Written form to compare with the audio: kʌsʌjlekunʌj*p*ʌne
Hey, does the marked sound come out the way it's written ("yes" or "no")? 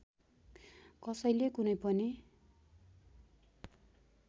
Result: yes